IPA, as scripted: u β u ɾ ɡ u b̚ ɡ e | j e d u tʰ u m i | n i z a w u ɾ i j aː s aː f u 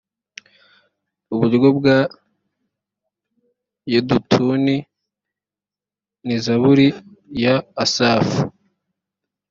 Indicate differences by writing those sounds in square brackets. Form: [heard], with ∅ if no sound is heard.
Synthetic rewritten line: u β u ɾ ɡ [o] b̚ ɡ [a] | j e d u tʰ u [n] i | n i z a [β] u ɾ i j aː s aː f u